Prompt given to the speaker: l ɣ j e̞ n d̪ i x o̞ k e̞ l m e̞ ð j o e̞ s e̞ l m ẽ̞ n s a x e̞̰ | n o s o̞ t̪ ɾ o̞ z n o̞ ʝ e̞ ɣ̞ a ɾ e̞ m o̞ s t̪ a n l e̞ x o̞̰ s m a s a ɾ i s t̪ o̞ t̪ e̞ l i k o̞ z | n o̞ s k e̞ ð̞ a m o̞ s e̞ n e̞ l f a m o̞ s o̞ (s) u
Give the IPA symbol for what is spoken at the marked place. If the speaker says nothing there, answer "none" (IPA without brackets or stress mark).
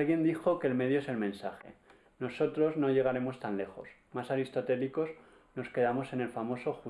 x